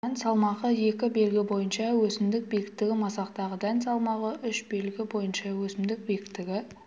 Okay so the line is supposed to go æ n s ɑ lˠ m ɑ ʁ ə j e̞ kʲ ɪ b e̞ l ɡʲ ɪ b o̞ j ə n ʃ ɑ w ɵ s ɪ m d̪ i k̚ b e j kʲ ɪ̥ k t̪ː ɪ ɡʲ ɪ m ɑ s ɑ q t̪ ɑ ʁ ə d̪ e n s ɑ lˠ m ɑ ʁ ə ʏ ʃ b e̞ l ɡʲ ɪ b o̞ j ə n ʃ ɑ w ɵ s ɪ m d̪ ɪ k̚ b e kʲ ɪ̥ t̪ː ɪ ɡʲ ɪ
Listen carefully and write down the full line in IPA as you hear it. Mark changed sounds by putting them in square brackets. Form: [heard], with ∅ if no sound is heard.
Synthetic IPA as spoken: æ n s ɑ lˠ m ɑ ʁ ə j e̞ kʲ ɪ b e̞ l ɡʲ ɪ b o̞ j ə n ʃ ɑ w ɵ s ɪ m d̪ [ɪ] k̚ b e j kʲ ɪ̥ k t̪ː ɪ ɡʲ ɪ m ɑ s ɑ q t̪ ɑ ʁ ə d̪ [æ] n s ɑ lˠ m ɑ ʁ ə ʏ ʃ b e̞ l ɡʲ ɪ b o̞ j ə n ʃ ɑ w ɵ s ɪ m d̪ ɪ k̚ b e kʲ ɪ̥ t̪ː ɪ ɡʲ ɪ